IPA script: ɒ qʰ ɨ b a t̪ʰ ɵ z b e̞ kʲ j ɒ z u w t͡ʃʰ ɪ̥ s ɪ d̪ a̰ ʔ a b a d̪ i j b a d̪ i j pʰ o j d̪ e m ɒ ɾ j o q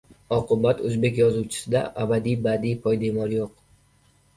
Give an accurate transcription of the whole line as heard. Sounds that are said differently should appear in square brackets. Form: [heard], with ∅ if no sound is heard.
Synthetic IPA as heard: ɒ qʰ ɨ b a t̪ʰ ɵ z b e̞ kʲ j ɒ z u w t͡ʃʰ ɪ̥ s ɪ d̪ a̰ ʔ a b a d̪ i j b a d̪ i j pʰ [ɒ] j d̪ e m ɒ ɾ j o q

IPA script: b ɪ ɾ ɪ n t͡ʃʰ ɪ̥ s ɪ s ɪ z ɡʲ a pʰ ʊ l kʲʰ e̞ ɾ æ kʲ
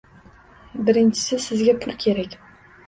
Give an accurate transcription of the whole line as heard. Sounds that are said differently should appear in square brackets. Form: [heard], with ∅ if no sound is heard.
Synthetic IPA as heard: b ɪ ɾ ɪ n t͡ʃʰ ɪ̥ s ɪ s ɪ z ɡʲ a pʰ ʊ l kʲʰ e̞ ɾ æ kʲ

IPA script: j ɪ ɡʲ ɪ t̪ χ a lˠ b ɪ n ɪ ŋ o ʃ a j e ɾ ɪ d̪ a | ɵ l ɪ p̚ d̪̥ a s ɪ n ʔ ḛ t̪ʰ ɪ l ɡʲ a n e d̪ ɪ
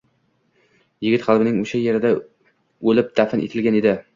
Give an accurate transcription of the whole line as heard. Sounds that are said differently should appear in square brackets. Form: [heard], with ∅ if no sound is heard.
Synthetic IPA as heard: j ɪ ɡʲ ɪ t̪ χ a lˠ b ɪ n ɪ ŋ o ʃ a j e ɾ ɪ d̪ a | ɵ l ɪ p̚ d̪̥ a [f] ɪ n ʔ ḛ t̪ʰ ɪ l ɡʲ a n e d̪ ɪ

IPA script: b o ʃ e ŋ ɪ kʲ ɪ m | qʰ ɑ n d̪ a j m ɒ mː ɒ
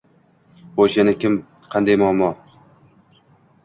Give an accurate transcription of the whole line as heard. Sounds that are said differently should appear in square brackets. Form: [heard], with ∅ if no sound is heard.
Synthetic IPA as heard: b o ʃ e [n] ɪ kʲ ɪ m | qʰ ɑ n d̪ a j m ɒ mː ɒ

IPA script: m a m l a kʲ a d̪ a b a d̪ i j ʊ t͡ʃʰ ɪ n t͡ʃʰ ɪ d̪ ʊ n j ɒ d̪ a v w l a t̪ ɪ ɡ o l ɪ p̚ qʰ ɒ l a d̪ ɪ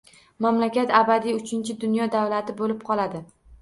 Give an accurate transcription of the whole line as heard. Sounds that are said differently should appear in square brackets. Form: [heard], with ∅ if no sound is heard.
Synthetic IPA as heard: m a m l a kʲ a [t̪] a b a d̪ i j ʊ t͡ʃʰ ɪ n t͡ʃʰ ɪ d̪ ʊ n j ɒ d̪ a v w l a t̪ ɪ [b] o l ɪ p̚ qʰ ɒ l a d̪ ɪ

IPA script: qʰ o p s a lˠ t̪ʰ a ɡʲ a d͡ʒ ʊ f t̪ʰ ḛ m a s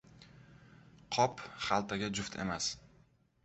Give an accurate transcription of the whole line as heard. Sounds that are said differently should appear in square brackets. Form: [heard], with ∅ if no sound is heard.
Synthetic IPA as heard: qʰ [ɒ] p [χ] a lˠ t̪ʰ a ɡʲ a d͡ʒ ʊ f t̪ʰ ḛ m a s

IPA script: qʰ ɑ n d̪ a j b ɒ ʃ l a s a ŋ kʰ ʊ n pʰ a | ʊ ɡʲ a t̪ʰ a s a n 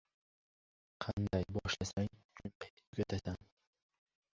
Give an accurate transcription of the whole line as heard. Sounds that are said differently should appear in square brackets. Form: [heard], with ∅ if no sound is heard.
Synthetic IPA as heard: qʰ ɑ n d̪ a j b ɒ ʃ l a s a ŋ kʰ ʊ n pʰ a | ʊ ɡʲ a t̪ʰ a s a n

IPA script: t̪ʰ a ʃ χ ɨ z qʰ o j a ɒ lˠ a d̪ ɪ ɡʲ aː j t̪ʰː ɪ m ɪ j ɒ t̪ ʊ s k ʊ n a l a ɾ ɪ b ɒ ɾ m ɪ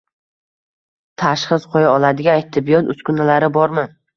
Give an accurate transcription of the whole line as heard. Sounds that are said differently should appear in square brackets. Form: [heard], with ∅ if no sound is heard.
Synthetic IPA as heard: t̪ʰ a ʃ χ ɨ z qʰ o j a ɒ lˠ a d̪ ɪ ɡʲ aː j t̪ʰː ɪ [b] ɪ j ɒ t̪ ʊ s k ʊ n a l a ɾ ɪ b ɒ ɾ m ɪ

